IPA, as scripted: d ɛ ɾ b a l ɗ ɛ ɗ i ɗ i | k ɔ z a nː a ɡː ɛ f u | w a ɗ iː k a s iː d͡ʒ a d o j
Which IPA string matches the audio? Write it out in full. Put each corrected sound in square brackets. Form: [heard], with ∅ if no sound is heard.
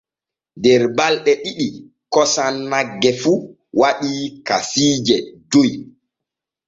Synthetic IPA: d ɛ ɾ b a l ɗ ɛ ɗ i ɗ i | k ɔ [s] a nː a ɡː ɛ f u | w a ɗ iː k a s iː d͡ʒ [ɛ] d o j